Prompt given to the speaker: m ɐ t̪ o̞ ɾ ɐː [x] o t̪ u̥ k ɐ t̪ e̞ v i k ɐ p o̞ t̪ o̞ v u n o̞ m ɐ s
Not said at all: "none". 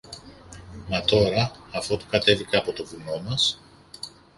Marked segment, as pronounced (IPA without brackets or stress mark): f